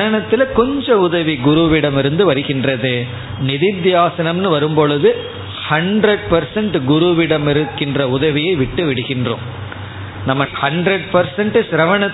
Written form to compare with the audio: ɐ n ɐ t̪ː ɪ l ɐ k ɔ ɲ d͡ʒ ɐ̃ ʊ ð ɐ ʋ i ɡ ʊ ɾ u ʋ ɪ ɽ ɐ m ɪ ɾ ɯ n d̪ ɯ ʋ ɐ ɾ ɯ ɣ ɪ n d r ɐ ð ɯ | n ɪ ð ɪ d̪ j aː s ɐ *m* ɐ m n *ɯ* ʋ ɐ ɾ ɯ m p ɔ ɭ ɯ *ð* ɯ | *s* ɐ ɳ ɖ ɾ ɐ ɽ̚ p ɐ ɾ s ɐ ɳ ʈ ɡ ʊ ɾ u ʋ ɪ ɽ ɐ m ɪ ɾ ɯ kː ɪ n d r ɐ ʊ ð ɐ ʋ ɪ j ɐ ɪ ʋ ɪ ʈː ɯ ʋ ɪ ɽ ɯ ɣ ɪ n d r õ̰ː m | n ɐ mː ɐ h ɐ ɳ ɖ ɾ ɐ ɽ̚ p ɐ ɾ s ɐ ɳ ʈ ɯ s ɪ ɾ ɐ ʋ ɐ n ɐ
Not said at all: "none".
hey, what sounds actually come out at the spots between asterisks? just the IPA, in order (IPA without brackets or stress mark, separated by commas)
n, ɯ, ð, h